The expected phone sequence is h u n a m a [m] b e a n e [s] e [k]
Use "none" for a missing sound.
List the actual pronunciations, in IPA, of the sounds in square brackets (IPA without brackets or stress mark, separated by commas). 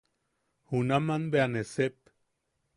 n, s, p